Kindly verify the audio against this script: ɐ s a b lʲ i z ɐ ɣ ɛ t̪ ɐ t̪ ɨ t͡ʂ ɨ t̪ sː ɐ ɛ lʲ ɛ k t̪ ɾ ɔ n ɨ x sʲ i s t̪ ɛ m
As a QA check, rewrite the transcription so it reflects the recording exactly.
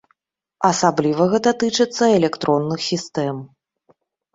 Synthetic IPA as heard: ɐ s a b lʲ i v ɐ ɣ ɛ t̪ ɐ t̪ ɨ t͡ʂ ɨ t̪ sː ɐ ɛ lʲ ɛ k t̪ ɾ ɔ nː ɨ x sʲ i s t̪ ɛ m

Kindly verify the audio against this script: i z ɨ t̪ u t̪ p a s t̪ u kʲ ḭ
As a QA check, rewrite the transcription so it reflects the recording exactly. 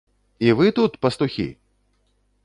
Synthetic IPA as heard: i v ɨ t̪ u t̪ p ɐ s t̪ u xʲ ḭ

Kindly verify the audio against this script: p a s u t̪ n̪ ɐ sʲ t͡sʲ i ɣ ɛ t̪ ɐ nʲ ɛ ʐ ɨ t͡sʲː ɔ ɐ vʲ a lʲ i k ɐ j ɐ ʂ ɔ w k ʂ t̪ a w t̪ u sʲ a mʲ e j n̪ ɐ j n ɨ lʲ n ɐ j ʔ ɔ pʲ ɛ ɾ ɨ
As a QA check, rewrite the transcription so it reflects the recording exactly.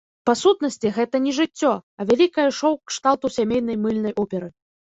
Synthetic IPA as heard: p a s u t̪ n̪ ɐ sʲ t͡sʲ i ɣ ɛ t̪ ɐ nʲ ɛ ʐ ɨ t͡sʲː ɔ ɐ vʲ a lʲ i k ɐ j ɐ ʂ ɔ w k ʂ t̪ a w t̪ u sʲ a mʲ e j n̪ ɐ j m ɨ lʲ n ɐ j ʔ ɔ pʲ ɛ ɾ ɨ

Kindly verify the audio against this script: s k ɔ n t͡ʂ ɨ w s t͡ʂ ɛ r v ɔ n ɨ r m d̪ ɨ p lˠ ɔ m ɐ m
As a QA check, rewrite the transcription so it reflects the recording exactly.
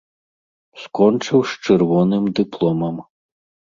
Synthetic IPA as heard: s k ɔ n t͡ʂ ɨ w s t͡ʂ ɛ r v ɔ n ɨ m d̪ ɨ p lˠ ɔ m ɐ m

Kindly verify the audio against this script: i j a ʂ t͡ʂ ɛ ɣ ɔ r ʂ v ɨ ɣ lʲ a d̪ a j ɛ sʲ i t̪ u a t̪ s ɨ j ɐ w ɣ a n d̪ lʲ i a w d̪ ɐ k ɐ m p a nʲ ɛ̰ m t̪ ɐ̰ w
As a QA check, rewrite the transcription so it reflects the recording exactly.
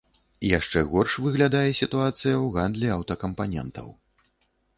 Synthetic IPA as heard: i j a ʂ t͡ʂ ɛ ɣ ɔ r ʂ v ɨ ɣ lʲ a d̪ a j ɛ sʲ i t̪ u a t̪ s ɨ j ɐ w ɣ a n d̪ lʲ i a w t̪ ɐ k ɐ m p a nʲ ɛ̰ n t̪ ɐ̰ w

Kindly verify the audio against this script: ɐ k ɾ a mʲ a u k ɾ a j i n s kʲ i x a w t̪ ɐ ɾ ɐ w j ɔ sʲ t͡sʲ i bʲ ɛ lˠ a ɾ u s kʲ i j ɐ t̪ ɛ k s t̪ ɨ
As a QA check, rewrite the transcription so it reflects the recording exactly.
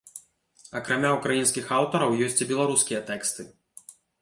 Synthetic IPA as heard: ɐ k ɾ a mʲ a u k ɾ a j i n s kʲ i x a w t̪ ɐ ɾ ɐ w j ɔ sʲ t͡sʲ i bʲ ɛ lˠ a ɾ u s kʲ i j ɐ t̪ ɛ k s t̪ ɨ

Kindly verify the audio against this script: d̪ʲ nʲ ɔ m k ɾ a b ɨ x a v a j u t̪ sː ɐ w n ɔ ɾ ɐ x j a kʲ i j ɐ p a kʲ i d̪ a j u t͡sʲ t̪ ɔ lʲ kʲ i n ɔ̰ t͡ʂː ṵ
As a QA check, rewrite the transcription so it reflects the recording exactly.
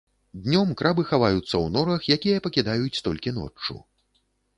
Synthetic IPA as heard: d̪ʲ nʲ ɔ m k ɾ a b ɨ x a v a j u t̪ sː ɐ w n ɔ ɾ ɐ x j a kʲ i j ɐ p ɐ kʲ i d̪ a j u t͡sʲ t̪ ɔ lʲ kʲ i n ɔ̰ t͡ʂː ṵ

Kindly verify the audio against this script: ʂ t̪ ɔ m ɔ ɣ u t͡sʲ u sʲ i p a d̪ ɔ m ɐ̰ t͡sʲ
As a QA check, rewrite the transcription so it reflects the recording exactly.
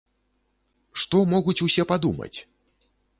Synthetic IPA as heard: ʂ t̪ ɔ m ɔ ɣ u t͡sʲ u sʲ ɛ p a d̪ u m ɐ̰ t͡sʲ

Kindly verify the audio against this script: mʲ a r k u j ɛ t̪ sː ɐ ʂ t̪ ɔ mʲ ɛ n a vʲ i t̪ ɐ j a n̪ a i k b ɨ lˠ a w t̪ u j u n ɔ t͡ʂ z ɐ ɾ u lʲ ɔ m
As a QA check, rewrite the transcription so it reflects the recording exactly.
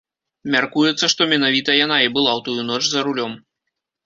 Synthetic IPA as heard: mʲ a r k u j ɛ t̪ sː ɐ ʂ t̪ ɔ mʲ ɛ n a vʲ i t̪ ɐ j a n̪ a i b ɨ lˠ a w t̪ u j u n ɔ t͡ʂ z ɐ ɾ u lʲ ɔ m

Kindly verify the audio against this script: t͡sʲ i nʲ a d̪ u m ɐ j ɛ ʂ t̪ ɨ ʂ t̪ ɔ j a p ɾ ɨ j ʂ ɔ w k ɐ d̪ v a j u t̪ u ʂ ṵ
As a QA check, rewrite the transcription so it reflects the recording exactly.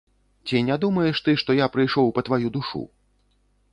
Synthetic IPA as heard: t͡sʲ i nʲ a d̪ u m ɐ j ɛ ʂ t̪ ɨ ʂ t̪ ɔ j a p ɾ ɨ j ʂ ɔ w p ɐ t̪ v a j u d̪ u ʂ ṵ

